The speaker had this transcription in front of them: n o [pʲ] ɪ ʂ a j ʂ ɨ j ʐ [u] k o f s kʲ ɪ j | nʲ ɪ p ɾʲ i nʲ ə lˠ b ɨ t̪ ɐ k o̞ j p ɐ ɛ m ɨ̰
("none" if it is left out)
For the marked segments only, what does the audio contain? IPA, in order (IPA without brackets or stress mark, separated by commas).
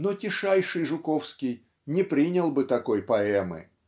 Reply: tʲ, ʊ